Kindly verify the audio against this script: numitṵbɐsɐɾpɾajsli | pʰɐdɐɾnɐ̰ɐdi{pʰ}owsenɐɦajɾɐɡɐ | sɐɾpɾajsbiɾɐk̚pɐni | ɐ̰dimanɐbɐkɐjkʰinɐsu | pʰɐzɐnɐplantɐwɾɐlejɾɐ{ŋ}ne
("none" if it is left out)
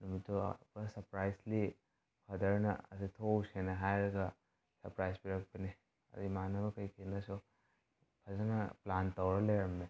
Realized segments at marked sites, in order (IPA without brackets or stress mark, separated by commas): tʰ, m